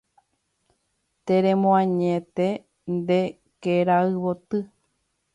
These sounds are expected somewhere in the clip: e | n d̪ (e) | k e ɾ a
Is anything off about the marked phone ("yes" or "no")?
no